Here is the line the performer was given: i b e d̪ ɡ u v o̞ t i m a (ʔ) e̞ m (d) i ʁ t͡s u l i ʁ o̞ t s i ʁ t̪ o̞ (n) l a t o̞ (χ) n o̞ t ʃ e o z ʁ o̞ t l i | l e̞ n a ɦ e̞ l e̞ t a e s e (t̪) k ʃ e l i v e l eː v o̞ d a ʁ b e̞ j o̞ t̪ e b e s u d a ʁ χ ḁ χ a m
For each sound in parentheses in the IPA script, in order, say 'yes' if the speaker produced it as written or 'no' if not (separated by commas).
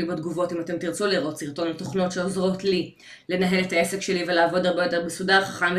no, no, yes, yes, no